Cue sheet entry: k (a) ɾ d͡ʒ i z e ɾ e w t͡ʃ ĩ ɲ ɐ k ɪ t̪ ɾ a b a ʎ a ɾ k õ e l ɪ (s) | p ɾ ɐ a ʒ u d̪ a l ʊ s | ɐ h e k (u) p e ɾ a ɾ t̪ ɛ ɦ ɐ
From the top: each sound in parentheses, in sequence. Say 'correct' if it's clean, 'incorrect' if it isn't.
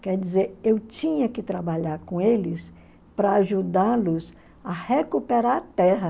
incorrect, correct, correct

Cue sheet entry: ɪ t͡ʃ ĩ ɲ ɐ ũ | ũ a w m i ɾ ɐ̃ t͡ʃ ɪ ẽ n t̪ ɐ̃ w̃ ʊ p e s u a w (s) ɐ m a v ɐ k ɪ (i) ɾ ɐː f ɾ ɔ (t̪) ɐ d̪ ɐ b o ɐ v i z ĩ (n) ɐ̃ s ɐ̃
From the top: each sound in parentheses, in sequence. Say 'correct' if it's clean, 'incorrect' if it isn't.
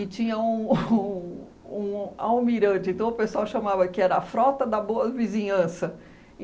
incorrect, incorrect, correct, incorrect

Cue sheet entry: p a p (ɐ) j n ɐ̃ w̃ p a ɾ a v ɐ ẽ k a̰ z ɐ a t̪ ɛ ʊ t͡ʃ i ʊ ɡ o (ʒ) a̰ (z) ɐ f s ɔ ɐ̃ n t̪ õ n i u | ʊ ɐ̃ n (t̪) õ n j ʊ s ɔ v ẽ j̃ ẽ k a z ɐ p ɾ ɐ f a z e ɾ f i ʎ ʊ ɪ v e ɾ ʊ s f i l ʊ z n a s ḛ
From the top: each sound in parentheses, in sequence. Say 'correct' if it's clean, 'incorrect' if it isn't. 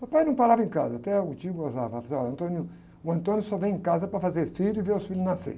incorrect, incorrect, incorrect, correct

